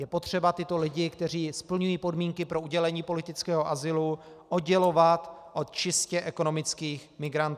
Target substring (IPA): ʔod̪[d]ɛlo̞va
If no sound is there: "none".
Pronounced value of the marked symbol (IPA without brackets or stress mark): ɟ